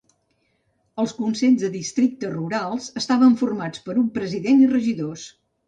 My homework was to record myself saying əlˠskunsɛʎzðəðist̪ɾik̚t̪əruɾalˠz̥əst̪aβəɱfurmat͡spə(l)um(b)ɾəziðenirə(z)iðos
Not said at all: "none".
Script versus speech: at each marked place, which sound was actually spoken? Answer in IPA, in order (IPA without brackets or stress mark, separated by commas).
ɾ, p, ʒ